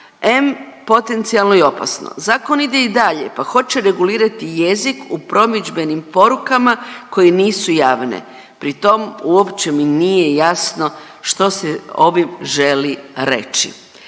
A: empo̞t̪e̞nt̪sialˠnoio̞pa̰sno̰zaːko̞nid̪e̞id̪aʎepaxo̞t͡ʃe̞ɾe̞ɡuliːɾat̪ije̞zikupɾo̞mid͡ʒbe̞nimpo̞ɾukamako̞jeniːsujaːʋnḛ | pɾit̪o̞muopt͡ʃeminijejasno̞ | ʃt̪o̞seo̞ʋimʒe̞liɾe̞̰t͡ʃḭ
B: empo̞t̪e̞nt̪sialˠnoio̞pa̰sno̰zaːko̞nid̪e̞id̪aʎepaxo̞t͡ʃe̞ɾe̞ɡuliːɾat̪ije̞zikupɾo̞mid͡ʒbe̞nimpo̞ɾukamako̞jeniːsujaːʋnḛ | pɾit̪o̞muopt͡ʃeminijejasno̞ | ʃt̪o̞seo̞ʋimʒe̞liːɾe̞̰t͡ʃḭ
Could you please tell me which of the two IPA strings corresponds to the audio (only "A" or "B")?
A